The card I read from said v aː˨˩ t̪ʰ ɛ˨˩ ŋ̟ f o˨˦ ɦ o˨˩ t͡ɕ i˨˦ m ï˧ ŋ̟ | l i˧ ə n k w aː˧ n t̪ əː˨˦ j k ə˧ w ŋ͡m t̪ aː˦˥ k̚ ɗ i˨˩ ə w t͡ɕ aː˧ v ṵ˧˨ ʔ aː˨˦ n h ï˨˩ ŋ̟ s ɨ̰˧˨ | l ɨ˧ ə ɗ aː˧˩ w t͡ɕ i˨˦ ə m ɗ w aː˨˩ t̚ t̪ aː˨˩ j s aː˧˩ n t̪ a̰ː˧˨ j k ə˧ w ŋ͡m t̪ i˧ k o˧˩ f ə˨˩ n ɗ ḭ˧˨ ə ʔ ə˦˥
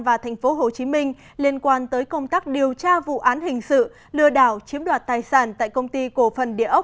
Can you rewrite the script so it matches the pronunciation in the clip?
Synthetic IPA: v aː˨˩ t̪ʰ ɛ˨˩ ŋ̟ f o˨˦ ɦ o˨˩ t͡ɕ i˨˦ m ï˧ ŋ̟ | l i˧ ə n k w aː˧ n t̪ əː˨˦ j k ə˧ w ŋ͡m t̪ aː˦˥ k̚ ɗ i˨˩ ə w t͡ɕ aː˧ v ṵ˧˨ ʔ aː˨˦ n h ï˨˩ ŋ̟ s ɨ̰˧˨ | l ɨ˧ ə ɗ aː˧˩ w t͡ɕ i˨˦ ə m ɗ w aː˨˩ t̚ t̪ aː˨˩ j s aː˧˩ n t̪ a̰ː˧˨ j k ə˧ w ŋ͡m t̪ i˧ k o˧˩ f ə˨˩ n ɗ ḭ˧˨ ə ʔ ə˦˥